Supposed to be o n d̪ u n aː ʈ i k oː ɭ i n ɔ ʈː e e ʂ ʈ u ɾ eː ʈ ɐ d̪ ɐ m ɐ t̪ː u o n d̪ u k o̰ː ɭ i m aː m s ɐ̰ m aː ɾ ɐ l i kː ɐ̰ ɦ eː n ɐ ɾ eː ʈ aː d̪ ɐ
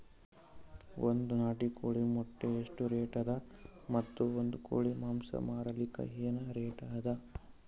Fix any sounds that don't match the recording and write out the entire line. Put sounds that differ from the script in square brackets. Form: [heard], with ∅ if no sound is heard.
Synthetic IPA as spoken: o n d̪ u n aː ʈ i k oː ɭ i [m] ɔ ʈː e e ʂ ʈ u ɾ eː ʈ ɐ d̪ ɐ m ɐ t̪ː u o n d̪ u k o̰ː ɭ i m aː m s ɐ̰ m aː ɾ ɐ l i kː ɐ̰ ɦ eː n ɐ ɾ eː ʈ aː d̪ ɐ